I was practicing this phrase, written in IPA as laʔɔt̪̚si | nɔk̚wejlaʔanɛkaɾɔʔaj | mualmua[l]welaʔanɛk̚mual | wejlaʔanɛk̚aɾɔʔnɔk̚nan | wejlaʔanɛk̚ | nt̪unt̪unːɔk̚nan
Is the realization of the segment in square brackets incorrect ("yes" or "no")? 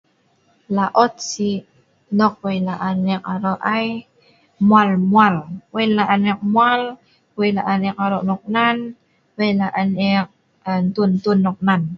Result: no